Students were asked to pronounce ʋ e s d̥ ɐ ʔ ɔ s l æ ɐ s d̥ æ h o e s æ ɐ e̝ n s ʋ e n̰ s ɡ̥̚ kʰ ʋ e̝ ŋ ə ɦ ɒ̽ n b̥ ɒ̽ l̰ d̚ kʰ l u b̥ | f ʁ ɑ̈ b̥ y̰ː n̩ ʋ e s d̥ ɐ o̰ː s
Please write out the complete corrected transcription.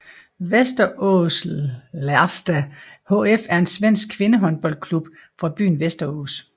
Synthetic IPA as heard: ʋ e s d̥ ɐ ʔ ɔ s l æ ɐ s d̥ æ h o e f æ ɐ e̝ n s ʋ e n̰ s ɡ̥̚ kʰ ʋ e̝ n ə ɦ ɒ̽ n b̥ ɒ̽ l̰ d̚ kʰ l u b̥ | f ʁ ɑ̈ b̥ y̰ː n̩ ʋ e s d̥ ɐ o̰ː s